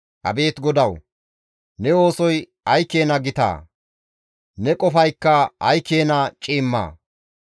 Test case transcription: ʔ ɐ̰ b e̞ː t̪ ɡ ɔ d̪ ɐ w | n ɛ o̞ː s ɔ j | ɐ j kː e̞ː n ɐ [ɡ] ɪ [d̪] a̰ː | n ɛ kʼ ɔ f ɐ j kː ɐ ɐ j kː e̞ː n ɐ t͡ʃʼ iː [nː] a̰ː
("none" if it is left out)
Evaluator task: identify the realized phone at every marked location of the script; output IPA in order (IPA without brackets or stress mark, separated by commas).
ɡ, t̪, mː